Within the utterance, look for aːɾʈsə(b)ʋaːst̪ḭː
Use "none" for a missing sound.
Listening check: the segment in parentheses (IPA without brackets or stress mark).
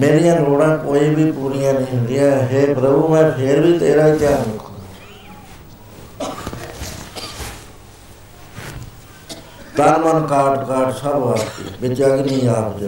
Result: b